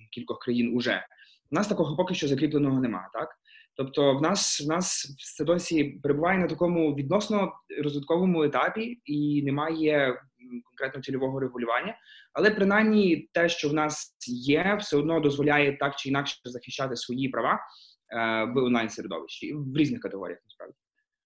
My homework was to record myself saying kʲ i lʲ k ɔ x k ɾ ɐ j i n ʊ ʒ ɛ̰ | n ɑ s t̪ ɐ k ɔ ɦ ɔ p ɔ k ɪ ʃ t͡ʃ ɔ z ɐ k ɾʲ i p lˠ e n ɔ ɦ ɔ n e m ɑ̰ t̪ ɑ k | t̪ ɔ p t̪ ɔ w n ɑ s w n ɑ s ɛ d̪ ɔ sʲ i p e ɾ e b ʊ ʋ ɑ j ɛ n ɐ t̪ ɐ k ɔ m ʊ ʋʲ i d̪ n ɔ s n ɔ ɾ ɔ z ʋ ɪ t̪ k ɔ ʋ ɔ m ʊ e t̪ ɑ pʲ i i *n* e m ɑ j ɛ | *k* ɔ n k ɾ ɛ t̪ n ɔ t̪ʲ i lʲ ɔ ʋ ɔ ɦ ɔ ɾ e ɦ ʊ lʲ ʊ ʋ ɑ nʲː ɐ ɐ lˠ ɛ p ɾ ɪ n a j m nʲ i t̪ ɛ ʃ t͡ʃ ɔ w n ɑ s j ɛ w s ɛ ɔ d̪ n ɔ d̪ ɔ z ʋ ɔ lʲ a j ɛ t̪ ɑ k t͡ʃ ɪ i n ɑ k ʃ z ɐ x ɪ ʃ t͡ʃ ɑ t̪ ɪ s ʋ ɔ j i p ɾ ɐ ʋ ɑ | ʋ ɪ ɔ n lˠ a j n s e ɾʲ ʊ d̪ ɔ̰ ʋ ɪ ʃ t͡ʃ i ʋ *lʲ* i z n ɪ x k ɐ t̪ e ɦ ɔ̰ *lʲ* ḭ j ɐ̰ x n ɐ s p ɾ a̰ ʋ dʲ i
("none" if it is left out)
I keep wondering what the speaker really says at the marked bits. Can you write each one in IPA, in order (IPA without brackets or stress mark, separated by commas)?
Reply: n, k, ɾʲ, ɾʲ